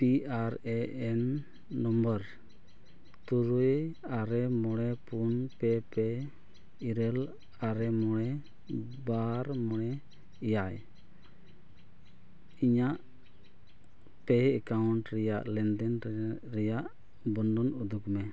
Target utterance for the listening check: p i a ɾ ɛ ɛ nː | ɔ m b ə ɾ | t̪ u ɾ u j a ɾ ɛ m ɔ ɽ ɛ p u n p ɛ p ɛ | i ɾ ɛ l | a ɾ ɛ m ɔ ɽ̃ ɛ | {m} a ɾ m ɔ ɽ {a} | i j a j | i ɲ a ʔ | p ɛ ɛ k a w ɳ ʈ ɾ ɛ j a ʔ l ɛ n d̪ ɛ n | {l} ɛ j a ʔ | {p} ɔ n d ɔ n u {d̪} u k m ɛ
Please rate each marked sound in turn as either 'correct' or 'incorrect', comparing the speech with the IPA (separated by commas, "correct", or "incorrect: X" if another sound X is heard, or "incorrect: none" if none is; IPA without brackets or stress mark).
incorrect: b, incorrect: ɛ, incorrect: ɾ, incorrect: b, correct